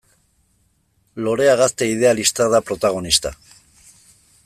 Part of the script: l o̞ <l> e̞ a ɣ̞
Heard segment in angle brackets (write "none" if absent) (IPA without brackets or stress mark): ɾ